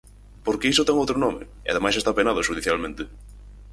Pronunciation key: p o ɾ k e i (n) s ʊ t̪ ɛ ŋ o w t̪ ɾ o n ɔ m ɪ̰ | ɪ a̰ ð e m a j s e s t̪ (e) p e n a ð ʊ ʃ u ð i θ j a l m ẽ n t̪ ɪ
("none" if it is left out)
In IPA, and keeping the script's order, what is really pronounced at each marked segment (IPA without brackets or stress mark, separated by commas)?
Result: none, a